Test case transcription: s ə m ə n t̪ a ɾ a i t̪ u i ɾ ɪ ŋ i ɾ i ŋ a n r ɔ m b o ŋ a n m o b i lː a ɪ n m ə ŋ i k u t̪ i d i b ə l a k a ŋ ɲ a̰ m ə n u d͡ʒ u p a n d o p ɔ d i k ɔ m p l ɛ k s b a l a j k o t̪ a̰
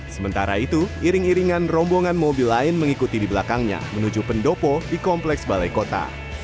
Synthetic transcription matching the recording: s ə m ə n t̪ a ɾ a i t̪ u i ɾ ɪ ŋ i ɾ i ŋ a n r ɔ m b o ŋ a n m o b i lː a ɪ n m ə ŋ i k u t̪ i d i b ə l a k a ŋ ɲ a̰ m ə n u d͡ʒ u p ə n d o p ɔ d i k ɔ m p l ɛ k s b a l a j k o t̪ a̰